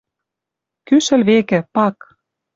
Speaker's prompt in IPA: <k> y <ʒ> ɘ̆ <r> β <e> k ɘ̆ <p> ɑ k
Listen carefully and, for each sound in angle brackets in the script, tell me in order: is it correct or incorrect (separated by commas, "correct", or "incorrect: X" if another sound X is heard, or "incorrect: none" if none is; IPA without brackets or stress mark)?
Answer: correct, incorrect: ʃ, incorrect: l, correct, correct